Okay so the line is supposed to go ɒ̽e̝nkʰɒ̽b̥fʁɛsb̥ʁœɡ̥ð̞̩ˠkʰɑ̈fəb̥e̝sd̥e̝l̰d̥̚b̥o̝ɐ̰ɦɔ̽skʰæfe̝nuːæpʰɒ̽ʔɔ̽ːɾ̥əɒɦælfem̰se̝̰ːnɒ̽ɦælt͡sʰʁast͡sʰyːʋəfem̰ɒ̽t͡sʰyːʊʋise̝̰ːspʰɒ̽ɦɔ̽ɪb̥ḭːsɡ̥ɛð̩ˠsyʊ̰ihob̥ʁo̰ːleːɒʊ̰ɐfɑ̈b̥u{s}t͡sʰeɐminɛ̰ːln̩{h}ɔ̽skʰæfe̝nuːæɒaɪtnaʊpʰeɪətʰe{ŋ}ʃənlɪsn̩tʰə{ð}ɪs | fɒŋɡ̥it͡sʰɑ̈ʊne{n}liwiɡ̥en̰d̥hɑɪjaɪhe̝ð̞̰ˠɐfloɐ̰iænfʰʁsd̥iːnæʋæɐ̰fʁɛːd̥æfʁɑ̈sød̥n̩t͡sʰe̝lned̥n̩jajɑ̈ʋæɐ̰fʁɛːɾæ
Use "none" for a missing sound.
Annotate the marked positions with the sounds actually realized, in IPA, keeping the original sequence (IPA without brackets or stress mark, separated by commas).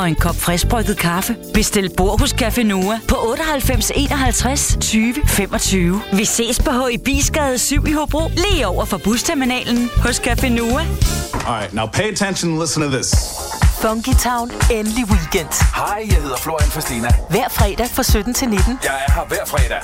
s, h, n, ð, n